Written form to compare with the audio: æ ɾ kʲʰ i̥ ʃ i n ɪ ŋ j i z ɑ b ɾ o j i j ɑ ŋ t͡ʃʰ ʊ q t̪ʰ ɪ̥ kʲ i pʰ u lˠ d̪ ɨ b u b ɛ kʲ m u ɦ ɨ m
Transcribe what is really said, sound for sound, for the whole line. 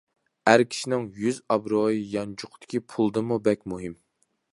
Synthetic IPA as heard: æ ɾ kʲʰ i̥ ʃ i n ɪ ŋ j y z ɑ b ɾ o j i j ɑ n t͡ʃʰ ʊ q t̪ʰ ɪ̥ kʲ i pʰ u lˠ d̪ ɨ m u b ɛ kʲ m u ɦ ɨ m